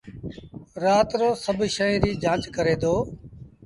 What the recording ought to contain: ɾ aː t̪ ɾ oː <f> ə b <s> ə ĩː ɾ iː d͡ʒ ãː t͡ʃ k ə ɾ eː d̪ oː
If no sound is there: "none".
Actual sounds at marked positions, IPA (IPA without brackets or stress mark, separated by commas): s, ʃ